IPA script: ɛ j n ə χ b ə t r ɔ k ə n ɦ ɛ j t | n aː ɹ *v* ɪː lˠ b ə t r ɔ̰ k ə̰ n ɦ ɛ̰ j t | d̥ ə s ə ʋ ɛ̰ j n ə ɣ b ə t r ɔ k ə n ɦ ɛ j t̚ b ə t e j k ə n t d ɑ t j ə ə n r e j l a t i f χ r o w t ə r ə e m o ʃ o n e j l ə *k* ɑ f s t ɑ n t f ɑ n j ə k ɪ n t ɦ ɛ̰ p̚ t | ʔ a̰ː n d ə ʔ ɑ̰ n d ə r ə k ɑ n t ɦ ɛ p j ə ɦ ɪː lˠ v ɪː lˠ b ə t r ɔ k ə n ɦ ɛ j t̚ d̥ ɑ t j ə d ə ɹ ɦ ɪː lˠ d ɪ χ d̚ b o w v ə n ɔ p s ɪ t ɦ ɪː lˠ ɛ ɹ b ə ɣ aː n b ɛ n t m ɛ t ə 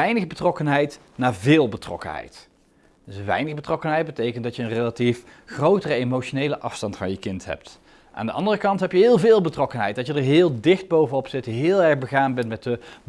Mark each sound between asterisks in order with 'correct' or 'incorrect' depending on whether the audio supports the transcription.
correct, incorrect: ʔ

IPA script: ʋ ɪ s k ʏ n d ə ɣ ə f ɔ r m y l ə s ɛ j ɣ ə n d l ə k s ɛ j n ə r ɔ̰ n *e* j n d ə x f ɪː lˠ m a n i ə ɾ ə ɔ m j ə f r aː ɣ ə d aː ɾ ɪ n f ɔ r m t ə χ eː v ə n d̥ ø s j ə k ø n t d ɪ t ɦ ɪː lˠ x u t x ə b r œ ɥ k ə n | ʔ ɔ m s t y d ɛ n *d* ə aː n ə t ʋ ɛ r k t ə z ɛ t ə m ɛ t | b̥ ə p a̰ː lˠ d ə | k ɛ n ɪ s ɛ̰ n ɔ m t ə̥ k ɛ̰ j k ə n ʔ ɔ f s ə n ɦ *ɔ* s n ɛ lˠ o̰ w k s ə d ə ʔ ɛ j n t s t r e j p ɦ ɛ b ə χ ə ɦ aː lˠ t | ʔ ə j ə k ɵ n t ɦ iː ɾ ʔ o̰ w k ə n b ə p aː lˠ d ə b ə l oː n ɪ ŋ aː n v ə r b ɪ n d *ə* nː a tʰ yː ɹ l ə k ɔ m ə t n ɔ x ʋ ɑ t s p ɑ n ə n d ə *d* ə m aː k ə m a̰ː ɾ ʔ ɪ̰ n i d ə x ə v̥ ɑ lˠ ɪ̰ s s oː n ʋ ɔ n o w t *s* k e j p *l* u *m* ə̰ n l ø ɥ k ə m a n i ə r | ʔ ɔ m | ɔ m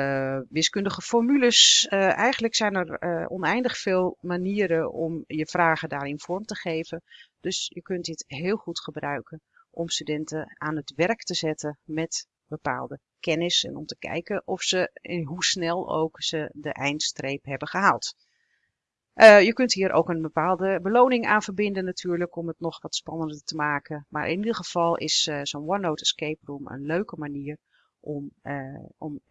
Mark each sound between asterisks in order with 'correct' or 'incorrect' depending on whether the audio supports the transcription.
incorrect: ɛ, incorrect: t, incorrect: u, correct, incorrect: t, correct, incorrect: r, correct

